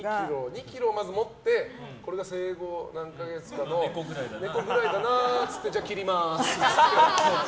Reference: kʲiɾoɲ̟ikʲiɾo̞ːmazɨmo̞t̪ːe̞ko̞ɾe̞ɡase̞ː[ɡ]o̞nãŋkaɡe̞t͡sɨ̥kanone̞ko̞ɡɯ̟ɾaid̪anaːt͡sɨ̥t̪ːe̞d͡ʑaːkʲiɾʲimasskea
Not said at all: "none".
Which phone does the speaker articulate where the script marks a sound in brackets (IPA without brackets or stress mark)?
ɡ